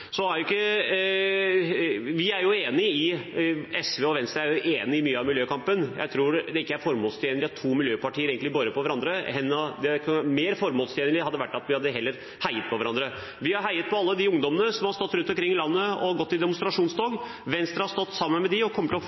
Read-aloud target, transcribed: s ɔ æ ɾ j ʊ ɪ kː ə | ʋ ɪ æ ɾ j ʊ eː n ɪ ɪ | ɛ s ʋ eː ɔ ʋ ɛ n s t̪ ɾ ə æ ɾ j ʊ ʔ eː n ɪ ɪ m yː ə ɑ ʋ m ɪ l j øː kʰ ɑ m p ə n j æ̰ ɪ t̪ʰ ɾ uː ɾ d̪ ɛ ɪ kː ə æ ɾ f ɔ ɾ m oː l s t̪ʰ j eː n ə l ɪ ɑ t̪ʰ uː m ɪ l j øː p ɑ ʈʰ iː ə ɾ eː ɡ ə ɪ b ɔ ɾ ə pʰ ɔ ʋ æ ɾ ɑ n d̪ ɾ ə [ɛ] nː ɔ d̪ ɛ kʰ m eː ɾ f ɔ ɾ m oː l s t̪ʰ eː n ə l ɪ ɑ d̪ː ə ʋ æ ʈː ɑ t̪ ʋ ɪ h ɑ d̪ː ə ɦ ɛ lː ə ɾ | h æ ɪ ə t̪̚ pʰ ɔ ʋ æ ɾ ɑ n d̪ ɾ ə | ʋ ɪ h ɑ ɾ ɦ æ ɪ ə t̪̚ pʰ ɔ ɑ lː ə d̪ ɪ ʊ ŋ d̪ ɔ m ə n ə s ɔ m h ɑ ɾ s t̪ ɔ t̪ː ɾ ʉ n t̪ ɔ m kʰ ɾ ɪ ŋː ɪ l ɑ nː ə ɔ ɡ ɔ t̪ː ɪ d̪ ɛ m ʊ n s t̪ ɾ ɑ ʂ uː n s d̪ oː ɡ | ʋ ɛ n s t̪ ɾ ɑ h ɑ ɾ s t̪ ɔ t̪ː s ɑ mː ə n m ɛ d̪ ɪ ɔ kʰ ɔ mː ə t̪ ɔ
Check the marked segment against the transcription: correct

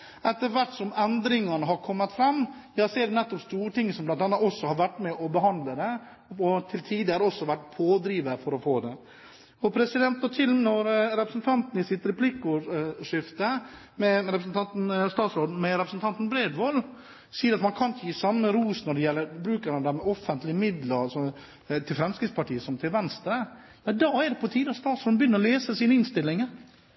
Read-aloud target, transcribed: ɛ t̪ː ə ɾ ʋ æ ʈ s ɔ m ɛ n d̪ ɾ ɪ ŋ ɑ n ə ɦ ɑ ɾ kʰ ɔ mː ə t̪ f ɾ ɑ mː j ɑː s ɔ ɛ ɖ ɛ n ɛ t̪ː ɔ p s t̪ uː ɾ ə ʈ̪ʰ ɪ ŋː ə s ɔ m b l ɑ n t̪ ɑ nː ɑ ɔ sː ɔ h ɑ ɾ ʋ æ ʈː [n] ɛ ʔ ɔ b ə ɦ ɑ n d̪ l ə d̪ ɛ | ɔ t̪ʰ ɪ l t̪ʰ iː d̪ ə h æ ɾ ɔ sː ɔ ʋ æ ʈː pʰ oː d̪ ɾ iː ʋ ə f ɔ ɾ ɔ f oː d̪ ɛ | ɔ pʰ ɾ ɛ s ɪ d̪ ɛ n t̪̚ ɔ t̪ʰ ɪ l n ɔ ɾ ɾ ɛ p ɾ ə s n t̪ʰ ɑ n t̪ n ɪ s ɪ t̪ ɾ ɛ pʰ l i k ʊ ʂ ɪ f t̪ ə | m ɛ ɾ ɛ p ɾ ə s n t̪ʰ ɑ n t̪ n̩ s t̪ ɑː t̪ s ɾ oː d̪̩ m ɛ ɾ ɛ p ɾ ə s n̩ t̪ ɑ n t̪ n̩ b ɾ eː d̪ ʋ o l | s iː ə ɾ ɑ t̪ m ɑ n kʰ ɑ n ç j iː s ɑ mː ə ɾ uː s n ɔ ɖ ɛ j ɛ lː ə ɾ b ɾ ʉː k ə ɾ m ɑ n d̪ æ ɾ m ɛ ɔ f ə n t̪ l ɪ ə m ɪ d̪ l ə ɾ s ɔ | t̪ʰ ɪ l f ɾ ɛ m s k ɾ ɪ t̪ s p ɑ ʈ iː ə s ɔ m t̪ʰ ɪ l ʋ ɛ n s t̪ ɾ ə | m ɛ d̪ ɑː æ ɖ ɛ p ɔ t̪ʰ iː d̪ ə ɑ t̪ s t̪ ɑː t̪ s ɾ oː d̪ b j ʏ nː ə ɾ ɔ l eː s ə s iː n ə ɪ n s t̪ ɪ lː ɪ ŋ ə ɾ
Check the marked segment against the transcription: incorrect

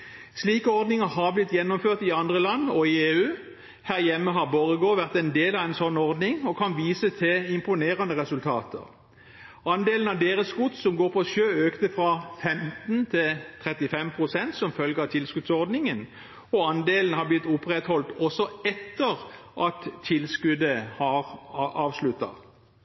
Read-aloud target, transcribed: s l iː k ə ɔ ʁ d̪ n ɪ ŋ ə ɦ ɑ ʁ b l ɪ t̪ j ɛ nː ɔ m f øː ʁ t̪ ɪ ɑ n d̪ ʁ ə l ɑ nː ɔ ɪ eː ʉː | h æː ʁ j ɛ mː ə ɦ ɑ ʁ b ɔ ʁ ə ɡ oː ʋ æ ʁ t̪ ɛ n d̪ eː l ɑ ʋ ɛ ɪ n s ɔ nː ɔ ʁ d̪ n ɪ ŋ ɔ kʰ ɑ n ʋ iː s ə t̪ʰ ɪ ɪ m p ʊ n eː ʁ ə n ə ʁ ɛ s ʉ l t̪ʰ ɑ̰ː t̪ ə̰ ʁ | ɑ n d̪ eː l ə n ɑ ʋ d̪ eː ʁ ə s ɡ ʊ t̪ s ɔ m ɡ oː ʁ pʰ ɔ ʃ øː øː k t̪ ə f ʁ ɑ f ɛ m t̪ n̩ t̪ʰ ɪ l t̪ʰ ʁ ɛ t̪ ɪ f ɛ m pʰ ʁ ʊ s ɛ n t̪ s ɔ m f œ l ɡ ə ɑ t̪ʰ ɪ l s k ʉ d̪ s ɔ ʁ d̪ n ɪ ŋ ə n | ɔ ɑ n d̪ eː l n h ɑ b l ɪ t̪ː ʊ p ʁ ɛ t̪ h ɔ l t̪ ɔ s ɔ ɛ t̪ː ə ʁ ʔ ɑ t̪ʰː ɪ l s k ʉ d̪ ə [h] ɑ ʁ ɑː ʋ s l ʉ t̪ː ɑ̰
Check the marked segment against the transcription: correct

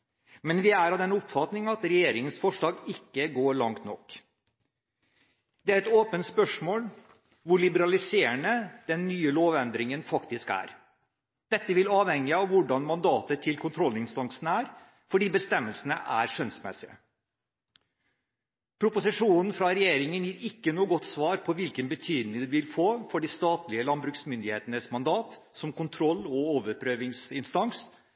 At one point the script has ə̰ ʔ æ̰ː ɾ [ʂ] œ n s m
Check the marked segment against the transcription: correct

